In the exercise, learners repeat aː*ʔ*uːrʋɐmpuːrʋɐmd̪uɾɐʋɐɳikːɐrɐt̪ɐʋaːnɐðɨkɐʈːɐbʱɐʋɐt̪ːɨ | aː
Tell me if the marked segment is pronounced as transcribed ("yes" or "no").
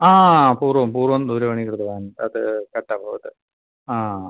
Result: no